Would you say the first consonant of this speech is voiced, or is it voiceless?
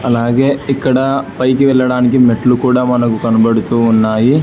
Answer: voiced